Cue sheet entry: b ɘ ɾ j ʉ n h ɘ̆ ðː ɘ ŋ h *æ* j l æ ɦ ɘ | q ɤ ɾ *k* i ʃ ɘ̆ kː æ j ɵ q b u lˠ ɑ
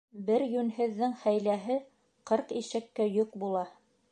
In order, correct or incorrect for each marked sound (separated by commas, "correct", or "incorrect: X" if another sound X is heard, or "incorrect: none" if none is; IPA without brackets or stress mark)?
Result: correct, incorrect: q